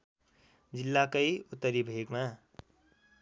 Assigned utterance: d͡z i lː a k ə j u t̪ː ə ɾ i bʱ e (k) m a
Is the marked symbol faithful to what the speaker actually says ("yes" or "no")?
no